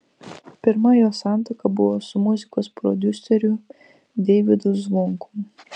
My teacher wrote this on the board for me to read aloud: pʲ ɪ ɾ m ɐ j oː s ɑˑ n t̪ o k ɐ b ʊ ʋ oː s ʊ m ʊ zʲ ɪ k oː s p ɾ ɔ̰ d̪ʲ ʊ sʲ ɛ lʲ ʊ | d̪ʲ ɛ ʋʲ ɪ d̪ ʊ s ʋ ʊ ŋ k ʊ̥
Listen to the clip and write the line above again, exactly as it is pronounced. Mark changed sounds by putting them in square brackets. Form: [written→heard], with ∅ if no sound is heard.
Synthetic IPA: pʲ ɪ ɾ m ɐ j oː s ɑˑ n t̪ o k ɐ b ʊ ʋ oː s ʊ m ʊ zʲ ɪ k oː s p ɾ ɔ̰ d̪ʲ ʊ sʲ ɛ [lʲ→ɾʲ] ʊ | d̪ʲ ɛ ʋʲ ɪ d̪ ʊ [s→z] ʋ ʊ ŋ k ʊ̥